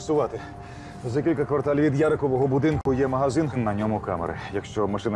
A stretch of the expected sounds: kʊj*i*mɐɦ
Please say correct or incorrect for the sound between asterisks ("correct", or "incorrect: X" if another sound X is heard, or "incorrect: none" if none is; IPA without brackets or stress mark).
incorrect: ɛ